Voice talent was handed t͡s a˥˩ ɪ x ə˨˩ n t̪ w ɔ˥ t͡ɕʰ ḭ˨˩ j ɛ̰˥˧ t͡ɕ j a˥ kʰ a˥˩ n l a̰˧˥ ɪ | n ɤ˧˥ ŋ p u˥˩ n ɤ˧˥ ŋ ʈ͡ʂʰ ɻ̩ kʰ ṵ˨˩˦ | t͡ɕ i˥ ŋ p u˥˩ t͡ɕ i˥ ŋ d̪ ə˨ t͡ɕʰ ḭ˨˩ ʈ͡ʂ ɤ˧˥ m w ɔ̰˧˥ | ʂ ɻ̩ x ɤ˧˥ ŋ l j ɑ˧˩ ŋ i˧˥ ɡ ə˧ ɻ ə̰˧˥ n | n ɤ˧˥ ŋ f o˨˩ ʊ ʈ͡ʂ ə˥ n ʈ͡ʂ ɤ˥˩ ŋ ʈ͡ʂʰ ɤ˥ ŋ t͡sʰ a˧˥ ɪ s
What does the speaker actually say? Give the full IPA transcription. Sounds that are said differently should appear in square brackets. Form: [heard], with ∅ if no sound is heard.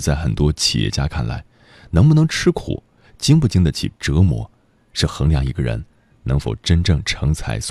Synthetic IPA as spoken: t͡s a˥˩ ɪ x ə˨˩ n t̪ w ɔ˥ t͡ɕʰ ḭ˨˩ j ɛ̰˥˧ t͡ɕ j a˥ kʰ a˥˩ n l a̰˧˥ ɪ | n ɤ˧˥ ŋ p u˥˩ n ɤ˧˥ ŋ ʈ͡ʂʰ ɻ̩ kʰ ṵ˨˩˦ | t͡ɕ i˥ ŋ p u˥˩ t͡ɕ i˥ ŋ d̪ ə˨ t͡ɕʰ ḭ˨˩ ʈ͡ʂ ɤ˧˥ m w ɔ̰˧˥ | ʂ ɻ̩ x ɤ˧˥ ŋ l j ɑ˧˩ ŋ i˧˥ ɡ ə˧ ɻ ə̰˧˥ n | n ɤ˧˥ ŋ f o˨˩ ʊ ʈ͡ʂ ə˥ n ʈ͡ʂ ɤ˥˩ ŋ ʈ͡ʂʰ [ɤ˧˥] ŋ t͡sʰ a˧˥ ɪ s